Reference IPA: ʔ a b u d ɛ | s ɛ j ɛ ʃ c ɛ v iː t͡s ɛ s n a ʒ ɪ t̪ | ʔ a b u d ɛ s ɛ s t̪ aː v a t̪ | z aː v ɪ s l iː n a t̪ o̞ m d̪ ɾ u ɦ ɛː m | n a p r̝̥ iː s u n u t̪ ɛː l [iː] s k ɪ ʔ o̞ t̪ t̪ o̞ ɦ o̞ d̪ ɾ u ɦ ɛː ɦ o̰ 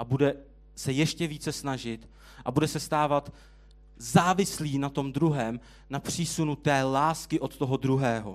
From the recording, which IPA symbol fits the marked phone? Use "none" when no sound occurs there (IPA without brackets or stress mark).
aː